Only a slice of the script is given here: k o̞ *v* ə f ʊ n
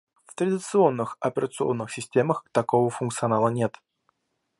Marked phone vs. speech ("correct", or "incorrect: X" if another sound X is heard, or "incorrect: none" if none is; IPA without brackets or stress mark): correct